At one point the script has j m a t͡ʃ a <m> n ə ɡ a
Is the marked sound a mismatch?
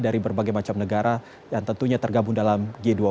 no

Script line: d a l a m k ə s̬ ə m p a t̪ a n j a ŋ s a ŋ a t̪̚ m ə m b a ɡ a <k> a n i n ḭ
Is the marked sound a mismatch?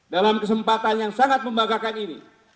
no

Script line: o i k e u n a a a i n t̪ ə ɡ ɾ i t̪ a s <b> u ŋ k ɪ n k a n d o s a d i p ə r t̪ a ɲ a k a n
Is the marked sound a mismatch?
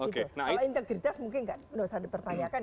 yes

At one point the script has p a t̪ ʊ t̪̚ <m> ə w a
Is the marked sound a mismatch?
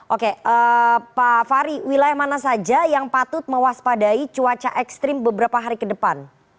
no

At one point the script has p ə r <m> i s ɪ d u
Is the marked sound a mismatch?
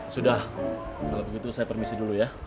no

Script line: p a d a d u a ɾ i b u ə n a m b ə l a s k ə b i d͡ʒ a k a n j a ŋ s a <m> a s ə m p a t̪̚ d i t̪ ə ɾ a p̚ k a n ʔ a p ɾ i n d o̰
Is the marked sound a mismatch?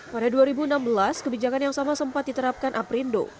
no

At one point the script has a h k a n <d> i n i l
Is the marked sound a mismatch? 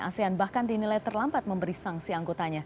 no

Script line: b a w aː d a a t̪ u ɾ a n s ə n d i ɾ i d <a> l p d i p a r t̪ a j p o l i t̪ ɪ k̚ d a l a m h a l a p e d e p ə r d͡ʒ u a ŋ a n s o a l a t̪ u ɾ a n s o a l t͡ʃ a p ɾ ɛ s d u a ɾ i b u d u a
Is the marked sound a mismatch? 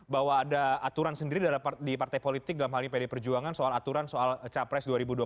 no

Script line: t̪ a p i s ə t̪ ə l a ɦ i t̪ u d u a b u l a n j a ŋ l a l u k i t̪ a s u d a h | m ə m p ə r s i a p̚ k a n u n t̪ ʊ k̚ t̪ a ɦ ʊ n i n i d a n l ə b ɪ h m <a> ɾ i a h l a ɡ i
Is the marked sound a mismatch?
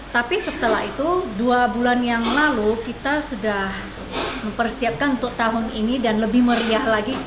yes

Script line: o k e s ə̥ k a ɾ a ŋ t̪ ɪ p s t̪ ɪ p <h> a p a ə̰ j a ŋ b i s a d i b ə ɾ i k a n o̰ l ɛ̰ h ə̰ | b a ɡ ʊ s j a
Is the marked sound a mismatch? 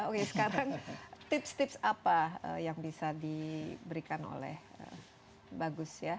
yes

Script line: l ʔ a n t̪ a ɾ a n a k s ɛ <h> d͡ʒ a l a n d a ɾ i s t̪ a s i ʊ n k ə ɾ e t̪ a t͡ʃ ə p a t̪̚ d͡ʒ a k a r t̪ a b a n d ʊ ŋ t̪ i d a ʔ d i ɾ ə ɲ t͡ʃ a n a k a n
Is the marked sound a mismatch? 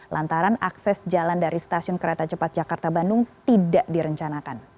yes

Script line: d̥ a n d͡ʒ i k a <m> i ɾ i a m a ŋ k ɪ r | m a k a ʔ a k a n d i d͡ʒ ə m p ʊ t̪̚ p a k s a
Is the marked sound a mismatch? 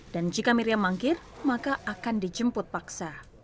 no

